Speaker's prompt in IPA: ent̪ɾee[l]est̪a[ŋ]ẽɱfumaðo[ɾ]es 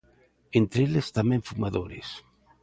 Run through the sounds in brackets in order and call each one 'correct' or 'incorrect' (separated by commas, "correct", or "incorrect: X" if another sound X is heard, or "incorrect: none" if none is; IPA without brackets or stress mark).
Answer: correct, incorrect: m, correct